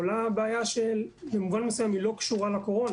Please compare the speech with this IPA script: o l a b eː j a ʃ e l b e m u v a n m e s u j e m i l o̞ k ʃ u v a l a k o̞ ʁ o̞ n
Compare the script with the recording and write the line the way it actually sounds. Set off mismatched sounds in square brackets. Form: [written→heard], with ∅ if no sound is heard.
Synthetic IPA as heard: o l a b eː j a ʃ e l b e m u v a n m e s u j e m i l o̞ k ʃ u [v→ʁ] a l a k o̞ ʁ o̞ n